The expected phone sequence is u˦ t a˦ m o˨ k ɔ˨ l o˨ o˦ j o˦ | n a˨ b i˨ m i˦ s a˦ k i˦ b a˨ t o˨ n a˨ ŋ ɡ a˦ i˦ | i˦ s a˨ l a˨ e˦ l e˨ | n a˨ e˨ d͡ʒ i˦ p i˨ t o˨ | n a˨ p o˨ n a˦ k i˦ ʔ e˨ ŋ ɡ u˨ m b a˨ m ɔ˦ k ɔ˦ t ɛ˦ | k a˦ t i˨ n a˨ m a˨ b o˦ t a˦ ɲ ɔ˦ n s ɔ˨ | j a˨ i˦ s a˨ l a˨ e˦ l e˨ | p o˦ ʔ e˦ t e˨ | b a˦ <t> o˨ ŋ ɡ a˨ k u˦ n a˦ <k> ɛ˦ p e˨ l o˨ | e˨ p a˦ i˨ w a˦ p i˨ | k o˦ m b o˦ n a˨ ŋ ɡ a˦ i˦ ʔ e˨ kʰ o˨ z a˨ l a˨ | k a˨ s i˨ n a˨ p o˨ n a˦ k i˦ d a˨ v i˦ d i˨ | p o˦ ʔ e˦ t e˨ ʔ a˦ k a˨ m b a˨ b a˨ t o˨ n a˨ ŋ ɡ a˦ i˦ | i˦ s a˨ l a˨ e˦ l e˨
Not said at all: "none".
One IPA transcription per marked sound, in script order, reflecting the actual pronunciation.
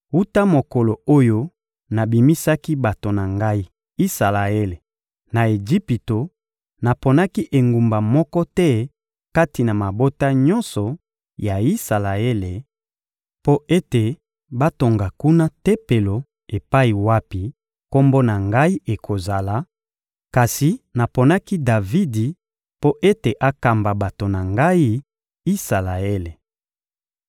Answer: t, t

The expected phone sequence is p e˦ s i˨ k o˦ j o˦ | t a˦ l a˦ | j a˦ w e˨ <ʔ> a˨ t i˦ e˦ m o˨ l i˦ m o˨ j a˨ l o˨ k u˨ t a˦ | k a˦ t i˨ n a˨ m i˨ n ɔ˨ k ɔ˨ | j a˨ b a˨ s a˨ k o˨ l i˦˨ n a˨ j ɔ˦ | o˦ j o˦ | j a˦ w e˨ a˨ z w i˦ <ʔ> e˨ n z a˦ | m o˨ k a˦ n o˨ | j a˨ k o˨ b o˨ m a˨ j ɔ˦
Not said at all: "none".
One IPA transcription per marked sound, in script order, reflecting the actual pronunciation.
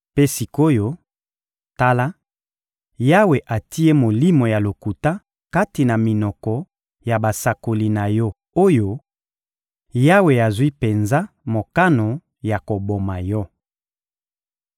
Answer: ʔ, p

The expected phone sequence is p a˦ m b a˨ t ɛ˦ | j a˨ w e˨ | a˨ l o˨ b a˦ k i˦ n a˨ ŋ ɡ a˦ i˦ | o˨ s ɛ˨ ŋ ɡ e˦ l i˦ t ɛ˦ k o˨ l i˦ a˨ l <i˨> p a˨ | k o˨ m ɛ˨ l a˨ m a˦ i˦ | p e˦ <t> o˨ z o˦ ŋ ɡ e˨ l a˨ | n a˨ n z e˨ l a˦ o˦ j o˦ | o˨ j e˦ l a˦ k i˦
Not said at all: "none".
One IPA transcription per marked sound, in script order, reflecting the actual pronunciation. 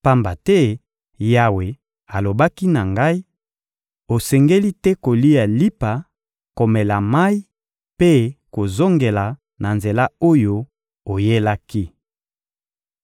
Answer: i˦, k

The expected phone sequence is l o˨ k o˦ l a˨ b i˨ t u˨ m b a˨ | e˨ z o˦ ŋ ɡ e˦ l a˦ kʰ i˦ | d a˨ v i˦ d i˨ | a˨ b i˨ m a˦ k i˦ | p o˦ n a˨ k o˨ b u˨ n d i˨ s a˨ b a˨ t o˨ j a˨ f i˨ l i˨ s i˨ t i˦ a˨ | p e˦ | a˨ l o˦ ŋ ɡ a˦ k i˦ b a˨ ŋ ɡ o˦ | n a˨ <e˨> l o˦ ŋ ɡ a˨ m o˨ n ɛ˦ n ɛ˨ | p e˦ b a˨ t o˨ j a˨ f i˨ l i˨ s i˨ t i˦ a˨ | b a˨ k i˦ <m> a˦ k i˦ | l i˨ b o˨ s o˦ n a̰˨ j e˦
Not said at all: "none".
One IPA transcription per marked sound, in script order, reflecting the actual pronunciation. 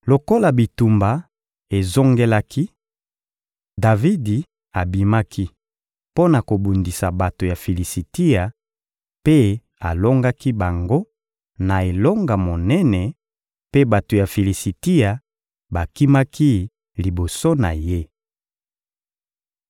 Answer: e˨, m

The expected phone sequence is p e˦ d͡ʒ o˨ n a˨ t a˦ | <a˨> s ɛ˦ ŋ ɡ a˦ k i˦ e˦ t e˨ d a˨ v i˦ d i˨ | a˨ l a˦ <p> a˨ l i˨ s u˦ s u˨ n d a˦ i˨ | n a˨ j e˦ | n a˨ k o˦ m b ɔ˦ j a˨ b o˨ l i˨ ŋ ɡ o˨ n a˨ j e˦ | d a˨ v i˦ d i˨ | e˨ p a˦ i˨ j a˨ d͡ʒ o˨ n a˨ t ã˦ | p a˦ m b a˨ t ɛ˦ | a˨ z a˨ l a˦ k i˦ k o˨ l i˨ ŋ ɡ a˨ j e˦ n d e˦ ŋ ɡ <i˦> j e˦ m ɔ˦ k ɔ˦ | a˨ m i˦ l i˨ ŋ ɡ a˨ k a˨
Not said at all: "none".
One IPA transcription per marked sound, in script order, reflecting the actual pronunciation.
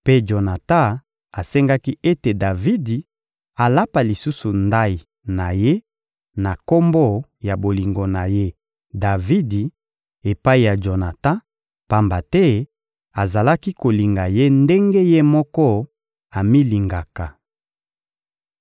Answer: a˨, p, e˦

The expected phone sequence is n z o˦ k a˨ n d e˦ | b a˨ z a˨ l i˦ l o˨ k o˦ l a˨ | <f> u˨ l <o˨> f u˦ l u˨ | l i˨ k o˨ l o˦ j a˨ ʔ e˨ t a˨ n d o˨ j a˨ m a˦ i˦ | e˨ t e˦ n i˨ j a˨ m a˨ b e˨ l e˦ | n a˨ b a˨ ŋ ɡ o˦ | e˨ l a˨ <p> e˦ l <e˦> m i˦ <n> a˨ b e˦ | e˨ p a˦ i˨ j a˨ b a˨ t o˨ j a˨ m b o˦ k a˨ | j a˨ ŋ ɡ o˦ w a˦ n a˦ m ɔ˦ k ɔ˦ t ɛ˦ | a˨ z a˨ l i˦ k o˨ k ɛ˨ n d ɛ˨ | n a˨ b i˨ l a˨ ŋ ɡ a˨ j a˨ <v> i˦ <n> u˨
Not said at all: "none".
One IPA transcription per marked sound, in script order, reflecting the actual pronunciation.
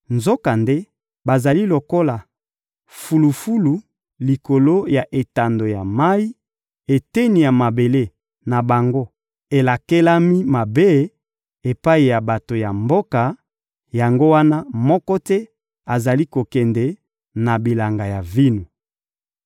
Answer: f, u˨, k, a˦, m, v, n

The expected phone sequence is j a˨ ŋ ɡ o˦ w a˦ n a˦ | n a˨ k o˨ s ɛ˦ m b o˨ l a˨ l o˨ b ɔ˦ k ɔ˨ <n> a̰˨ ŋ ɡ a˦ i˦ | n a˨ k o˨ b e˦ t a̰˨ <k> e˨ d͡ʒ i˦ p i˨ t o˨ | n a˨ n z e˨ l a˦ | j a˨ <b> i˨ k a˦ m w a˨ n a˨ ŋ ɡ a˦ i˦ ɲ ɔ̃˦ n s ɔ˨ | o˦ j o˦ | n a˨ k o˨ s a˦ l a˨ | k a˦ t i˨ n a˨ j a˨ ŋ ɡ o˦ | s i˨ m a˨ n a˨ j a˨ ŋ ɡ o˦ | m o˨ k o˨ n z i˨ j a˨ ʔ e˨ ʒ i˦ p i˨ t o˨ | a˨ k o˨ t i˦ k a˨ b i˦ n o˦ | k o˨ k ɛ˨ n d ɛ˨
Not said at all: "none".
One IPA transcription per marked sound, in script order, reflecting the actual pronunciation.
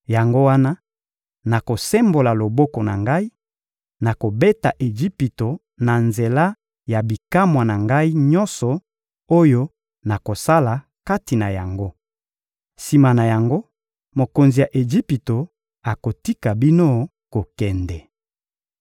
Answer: n, ʔ, b

